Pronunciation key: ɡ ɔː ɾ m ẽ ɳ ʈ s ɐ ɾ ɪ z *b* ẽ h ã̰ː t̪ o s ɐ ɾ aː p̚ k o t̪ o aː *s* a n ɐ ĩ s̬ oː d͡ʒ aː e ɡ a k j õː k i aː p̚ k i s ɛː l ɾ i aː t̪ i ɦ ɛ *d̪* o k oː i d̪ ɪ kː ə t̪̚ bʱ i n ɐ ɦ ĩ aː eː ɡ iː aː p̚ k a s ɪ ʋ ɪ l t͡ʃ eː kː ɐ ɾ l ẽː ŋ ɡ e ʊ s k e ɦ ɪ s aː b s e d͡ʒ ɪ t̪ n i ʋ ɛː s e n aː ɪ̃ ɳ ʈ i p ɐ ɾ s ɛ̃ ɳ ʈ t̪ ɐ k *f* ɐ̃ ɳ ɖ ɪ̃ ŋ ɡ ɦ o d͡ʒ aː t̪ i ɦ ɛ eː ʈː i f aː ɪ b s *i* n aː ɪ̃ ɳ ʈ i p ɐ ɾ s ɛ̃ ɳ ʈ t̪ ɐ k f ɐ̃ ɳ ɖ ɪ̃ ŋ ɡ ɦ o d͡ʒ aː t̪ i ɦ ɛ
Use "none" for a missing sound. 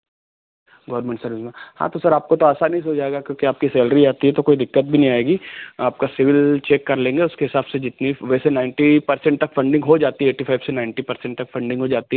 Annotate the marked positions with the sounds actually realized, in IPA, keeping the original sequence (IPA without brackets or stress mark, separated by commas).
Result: m, s, t̪, f, e